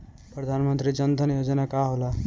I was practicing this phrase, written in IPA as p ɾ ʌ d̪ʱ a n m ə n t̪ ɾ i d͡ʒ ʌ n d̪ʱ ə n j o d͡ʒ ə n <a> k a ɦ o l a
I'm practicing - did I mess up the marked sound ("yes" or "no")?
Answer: no